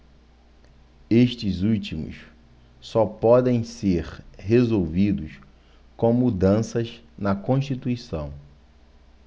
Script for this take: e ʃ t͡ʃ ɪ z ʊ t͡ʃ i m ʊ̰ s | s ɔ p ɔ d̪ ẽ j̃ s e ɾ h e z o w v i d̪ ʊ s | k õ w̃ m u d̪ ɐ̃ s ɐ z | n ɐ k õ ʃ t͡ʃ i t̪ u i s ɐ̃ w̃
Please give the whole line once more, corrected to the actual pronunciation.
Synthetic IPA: e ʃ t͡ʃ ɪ z u t͡ʃ i m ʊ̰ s | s ɔ p ɔ d̪ ẽ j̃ s e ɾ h e z o w v i d̪ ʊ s | k õ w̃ m u d̪ ɐ̃ s ɐ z | n ɐ k õ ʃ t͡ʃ i t̪ u i s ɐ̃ w̃